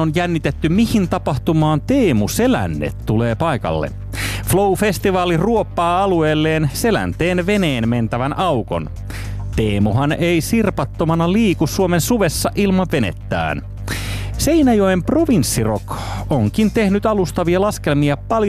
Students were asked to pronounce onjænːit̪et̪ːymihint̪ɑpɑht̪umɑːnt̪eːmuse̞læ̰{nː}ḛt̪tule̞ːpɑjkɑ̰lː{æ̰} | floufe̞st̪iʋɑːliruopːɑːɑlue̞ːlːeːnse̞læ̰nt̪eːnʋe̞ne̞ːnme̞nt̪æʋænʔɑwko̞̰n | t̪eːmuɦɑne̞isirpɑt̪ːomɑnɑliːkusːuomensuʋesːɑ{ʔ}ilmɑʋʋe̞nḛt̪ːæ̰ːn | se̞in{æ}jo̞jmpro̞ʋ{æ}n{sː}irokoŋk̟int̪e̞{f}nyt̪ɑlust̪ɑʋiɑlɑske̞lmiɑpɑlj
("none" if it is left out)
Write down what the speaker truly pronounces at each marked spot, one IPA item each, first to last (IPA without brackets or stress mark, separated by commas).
nː, ḛ, ʔ, æ, i, sː, h